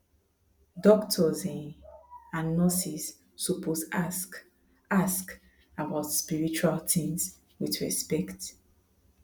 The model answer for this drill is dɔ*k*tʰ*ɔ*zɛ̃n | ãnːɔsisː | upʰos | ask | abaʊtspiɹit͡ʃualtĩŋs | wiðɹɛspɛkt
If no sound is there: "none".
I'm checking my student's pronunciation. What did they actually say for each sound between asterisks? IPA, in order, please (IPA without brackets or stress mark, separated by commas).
k, ɔ